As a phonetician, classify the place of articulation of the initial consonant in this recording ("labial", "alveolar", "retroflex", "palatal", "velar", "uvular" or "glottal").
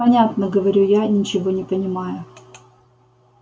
alveolar